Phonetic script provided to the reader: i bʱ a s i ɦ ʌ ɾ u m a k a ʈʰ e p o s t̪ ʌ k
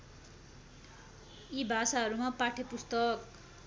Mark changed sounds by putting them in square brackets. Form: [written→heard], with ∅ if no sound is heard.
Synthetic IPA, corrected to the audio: i bʱ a s [i→a] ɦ ʌ ɾ u m a [k→p] a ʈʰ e p [o→u] s t̪ ʌ k